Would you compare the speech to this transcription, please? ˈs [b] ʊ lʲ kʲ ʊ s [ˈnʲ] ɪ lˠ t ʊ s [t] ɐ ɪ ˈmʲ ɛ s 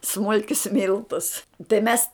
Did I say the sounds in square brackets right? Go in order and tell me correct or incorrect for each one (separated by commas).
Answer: incorrect, incorrect, correct